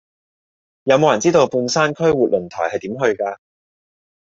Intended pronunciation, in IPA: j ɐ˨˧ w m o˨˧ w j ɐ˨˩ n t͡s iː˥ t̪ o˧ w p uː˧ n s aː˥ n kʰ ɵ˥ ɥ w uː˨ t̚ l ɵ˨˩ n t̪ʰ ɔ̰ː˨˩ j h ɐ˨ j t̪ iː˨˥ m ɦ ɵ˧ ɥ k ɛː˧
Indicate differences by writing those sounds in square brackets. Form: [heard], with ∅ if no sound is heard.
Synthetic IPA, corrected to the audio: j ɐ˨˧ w m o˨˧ w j ɐ˨˩ n t͡s iː˥ t̪ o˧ w p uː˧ n s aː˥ n kʰ ɵ˥ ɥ w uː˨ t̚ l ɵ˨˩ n t̪ʰ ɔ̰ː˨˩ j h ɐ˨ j t̪ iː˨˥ m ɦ ɵ˧ ɥ k [aː˧]